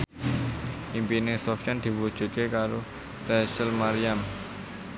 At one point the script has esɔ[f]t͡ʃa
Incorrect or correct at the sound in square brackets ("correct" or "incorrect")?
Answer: correct